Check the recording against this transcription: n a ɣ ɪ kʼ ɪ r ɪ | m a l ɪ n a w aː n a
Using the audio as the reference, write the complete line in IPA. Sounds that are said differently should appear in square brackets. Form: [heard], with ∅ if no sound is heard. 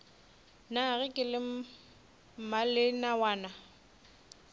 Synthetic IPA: n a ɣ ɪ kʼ ɪ [l] ɪ | m a l ɪ n a w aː n a